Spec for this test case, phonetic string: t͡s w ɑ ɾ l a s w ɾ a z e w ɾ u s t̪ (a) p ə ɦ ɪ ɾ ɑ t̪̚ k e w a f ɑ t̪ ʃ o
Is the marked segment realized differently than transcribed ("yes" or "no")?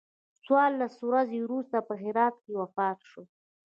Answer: no